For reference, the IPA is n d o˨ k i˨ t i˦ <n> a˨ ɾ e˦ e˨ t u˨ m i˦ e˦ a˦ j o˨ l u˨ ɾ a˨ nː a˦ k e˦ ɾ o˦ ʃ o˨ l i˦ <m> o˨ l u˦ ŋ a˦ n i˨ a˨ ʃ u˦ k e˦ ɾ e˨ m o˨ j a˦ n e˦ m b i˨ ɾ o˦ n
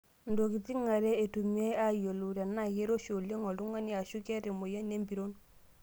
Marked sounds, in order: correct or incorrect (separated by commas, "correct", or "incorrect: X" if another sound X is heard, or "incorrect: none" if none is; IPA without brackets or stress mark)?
incorrect: ŋ, incorrect: ŋ